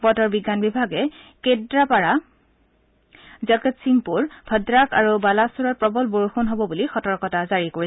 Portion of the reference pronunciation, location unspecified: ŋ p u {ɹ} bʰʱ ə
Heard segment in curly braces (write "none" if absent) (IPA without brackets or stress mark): ɹ